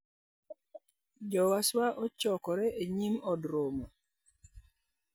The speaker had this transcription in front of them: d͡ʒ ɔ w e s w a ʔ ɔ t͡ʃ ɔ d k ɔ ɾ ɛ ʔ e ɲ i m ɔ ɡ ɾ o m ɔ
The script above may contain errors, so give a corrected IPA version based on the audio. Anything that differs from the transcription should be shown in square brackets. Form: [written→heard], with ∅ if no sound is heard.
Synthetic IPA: d͡ʒ ɔ w [e→a] s w a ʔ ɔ t͡ʃ ɔ [d→∅] k ɔ ɾ ɛ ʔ e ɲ i m ɔ [ɡ→d] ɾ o m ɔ